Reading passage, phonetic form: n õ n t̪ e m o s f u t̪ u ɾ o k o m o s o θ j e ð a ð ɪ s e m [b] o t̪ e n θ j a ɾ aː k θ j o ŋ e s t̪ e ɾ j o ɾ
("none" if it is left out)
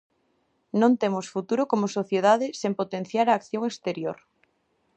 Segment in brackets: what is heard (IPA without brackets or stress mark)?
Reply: p